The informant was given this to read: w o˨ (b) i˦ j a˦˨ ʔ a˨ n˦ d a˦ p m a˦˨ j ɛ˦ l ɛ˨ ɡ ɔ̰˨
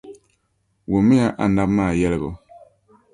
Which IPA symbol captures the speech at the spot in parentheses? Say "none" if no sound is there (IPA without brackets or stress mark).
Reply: m